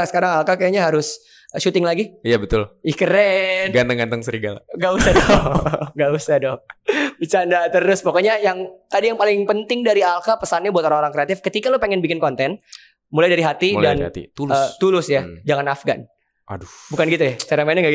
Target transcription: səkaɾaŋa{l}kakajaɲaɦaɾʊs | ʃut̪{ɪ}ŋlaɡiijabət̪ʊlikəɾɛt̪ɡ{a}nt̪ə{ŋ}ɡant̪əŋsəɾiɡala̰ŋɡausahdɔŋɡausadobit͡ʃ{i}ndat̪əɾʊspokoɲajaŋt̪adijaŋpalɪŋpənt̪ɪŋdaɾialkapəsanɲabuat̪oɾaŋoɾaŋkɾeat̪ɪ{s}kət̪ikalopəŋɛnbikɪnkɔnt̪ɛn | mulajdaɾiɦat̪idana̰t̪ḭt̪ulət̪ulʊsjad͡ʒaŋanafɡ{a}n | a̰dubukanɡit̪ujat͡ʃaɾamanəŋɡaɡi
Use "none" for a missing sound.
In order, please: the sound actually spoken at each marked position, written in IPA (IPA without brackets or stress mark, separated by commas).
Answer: l, ɪ, a, ŋ, a, f, a